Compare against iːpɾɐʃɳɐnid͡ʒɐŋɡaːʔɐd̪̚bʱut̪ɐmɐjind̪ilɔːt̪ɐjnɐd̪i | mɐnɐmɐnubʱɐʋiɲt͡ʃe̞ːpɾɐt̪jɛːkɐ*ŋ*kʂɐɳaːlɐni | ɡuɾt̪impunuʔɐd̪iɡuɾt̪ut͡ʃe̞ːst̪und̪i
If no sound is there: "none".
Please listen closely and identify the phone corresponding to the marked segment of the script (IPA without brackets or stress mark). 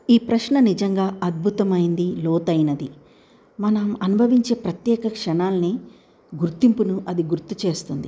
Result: none